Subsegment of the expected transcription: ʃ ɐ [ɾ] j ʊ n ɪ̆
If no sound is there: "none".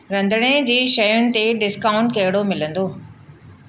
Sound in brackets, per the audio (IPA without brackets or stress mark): none